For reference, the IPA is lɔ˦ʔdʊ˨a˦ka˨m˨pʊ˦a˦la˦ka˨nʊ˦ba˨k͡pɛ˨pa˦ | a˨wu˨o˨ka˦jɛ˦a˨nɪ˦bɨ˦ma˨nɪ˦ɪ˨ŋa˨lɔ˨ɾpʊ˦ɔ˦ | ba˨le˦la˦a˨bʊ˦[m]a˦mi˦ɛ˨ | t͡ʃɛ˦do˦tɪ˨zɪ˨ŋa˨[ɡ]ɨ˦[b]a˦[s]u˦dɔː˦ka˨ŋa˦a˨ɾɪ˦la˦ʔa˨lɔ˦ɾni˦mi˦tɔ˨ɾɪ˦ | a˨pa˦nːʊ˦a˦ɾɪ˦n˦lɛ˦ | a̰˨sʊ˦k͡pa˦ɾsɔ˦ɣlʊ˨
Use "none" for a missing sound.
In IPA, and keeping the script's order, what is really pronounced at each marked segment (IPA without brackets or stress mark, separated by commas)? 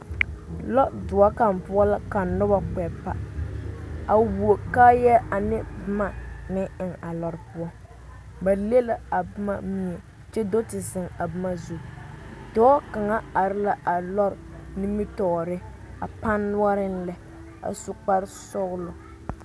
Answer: m, b, m, z